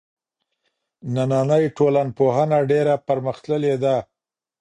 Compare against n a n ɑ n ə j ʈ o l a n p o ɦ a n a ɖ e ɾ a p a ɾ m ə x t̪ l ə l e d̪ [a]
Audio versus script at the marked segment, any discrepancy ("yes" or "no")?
no